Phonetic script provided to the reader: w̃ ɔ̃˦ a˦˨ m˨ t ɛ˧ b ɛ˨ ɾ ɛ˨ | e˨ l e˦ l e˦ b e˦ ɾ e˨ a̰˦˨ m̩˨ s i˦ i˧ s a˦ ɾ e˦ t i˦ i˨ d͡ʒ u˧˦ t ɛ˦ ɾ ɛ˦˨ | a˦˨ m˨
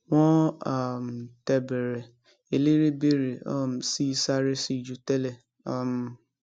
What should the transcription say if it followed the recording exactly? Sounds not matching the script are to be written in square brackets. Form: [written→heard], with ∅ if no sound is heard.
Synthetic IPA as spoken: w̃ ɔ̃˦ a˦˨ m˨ t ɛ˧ b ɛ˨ ɾ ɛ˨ | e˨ l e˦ [l→ɾ] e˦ b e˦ ɾ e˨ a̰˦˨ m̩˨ s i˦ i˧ s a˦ ɾ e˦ [t→s] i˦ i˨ d͡ʒ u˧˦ t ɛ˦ [ɾ→l] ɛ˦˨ | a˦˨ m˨